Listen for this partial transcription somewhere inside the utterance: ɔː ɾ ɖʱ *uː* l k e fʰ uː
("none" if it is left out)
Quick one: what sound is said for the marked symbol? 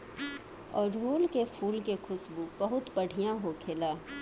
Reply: uː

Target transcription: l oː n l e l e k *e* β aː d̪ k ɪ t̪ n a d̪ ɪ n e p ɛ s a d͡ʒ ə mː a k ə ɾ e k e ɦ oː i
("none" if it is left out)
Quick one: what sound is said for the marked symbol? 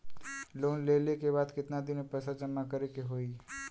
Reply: e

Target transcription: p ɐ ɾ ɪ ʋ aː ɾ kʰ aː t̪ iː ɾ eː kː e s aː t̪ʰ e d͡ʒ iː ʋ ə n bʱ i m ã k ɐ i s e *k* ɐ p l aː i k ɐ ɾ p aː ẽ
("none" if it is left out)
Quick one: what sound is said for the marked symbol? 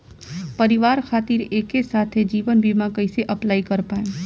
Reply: ʔ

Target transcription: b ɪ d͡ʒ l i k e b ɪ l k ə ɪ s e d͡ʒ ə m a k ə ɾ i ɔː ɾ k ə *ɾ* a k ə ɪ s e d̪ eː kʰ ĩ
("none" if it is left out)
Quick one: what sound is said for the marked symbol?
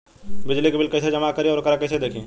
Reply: ɾ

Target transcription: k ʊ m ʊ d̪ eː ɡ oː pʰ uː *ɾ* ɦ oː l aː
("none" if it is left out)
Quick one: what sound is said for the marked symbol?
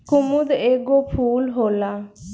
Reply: l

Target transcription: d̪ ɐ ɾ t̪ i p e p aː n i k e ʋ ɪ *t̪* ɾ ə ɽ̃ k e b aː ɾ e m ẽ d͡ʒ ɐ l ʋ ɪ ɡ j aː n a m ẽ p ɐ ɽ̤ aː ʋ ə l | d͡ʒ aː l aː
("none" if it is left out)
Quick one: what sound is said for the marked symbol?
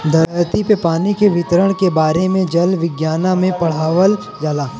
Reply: t̪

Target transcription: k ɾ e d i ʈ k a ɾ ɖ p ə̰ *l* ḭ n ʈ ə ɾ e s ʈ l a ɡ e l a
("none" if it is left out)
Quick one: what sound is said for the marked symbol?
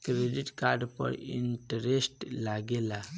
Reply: ɾ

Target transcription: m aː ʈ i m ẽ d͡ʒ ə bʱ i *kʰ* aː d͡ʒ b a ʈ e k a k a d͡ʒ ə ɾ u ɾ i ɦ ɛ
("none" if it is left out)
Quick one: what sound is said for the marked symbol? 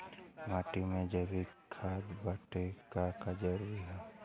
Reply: kʰ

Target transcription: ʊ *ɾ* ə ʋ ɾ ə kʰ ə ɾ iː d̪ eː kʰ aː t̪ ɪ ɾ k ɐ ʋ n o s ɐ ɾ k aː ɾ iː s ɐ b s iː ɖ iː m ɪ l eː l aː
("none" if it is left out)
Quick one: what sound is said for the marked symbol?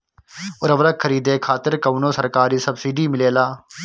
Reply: ɾ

